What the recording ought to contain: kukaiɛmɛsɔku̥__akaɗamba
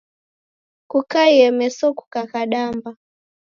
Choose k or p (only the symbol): k